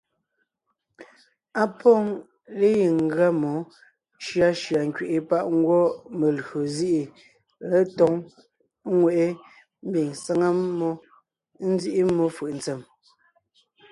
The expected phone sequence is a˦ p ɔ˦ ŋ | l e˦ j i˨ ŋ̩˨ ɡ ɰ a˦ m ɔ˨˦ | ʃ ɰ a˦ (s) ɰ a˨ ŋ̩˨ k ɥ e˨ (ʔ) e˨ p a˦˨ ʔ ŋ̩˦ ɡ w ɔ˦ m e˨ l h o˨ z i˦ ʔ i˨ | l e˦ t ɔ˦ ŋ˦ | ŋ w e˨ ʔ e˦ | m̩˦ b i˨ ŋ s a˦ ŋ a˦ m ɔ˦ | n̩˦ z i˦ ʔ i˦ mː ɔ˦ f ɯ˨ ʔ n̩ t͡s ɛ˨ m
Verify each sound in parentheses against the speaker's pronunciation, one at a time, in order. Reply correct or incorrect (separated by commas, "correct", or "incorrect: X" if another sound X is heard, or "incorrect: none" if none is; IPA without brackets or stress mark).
incorrect: ʃ, correct